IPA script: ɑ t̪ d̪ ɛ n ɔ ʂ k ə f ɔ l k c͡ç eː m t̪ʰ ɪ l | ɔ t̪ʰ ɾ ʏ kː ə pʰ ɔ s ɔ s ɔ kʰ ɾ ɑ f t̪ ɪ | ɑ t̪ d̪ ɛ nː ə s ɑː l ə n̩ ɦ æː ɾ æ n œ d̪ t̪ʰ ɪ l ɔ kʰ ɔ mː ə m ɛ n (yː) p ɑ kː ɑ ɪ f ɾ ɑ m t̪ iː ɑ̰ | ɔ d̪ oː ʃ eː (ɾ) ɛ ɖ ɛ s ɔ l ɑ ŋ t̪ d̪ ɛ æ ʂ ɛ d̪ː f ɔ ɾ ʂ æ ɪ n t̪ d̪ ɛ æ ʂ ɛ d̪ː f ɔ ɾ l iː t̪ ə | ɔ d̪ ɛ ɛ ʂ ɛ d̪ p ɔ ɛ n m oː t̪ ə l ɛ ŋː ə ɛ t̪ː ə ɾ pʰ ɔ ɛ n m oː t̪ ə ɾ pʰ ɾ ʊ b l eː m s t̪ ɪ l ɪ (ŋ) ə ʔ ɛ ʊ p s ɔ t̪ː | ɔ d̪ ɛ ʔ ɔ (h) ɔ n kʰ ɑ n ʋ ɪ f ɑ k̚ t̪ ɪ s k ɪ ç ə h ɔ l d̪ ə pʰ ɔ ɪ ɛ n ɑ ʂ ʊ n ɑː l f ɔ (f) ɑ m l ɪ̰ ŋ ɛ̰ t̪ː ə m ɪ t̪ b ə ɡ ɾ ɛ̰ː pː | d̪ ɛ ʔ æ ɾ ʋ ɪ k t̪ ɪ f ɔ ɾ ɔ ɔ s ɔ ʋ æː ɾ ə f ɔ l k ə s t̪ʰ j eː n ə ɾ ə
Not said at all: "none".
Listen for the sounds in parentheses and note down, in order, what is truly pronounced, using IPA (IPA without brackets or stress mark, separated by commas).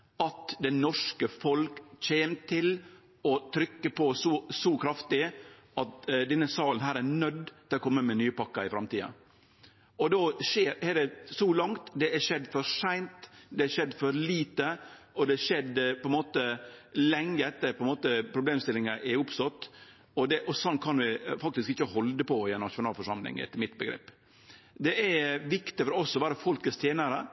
yː, ɾ, ŋ, s, ʂ